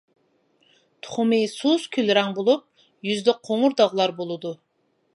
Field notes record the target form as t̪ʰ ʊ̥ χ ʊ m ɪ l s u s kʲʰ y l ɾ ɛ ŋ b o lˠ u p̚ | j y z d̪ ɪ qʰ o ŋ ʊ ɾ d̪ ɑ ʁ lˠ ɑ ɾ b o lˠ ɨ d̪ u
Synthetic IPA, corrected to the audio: t̪ʰ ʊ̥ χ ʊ m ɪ s u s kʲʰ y l ɾ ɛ ŋ b o lˠ u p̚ | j y z d̪ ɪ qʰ o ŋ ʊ ɾ d̪ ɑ ʁ lˠ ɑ ɾ b o lˠ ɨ d̪ u